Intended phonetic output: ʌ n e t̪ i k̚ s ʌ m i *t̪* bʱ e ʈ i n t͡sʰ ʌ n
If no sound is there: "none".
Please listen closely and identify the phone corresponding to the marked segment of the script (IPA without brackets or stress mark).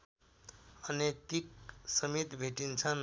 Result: t̪